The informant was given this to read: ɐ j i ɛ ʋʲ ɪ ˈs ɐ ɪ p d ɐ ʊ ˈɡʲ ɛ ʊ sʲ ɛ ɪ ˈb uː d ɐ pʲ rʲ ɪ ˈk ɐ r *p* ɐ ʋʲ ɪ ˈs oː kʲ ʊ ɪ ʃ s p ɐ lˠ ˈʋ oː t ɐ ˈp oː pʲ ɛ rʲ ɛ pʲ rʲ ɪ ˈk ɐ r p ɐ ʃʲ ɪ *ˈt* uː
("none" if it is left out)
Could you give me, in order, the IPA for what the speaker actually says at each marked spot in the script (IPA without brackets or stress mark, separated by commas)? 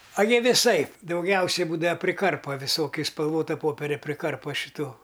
p, t